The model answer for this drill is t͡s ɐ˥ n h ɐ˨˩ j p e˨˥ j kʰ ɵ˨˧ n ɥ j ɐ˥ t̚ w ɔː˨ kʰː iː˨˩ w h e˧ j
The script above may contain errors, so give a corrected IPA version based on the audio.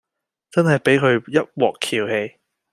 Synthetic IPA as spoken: t͡s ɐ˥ n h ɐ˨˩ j p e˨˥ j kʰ ɵ˨˧ ɥ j ɐ˥ t̚ w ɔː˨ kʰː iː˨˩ w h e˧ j